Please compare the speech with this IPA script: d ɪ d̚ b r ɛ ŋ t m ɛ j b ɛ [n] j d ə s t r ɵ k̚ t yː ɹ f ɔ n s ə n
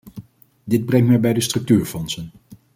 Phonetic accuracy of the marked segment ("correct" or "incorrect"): incorrect